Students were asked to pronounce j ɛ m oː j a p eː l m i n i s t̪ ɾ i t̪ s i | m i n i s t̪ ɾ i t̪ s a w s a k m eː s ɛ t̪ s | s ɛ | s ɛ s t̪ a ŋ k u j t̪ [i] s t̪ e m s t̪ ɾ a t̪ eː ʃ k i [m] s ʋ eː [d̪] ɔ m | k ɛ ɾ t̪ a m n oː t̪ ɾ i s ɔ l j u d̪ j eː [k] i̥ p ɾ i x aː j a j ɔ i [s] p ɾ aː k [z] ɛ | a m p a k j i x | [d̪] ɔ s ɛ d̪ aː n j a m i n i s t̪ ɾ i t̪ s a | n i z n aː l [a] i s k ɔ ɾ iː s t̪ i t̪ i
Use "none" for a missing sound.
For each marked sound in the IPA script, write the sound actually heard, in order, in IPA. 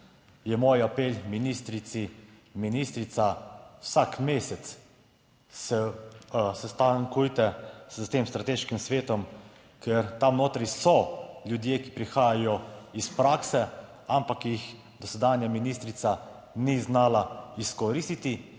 ɛ, m, t̪, k, s, s, d̪, a

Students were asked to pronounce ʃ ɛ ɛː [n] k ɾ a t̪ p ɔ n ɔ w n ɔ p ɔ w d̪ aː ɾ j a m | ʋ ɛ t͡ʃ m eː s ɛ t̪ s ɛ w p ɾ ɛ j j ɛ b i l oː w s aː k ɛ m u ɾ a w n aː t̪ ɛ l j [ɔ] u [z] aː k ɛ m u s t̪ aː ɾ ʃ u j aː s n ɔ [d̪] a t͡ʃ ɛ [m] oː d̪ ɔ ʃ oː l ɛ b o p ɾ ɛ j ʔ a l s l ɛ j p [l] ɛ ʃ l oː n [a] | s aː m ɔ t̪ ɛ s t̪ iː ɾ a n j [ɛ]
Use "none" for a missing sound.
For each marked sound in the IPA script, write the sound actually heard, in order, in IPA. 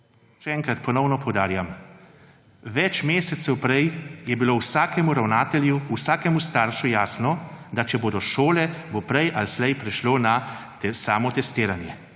ŋ, u, s, d̪, b, ɾ, a, ɛ

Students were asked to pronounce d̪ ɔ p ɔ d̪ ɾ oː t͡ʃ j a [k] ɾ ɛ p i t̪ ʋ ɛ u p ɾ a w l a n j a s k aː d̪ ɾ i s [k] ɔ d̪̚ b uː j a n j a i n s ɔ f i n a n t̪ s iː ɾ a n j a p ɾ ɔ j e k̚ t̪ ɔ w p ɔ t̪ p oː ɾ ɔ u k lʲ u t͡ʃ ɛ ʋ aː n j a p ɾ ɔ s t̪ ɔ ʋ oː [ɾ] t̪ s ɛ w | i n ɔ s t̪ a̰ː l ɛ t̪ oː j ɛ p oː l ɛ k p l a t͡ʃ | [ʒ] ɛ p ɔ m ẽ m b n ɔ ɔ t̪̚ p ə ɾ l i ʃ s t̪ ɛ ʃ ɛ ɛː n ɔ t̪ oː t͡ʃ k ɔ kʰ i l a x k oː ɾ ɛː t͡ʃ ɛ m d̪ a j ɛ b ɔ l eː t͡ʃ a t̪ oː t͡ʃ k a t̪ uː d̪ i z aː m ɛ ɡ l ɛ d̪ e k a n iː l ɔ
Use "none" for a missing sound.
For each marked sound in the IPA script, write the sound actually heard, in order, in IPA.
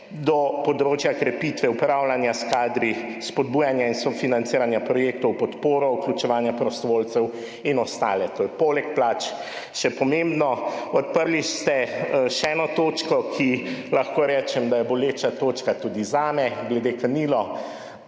k, p, l, ʃ

